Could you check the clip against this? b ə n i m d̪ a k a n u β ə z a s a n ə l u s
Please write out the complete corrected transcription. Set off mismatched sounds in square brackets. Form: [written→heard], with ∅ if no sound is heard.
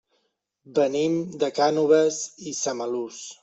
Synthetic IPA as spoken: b ə n i m d̪ [a→ə] k a n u β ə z [a→i] s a [n→m] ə l u s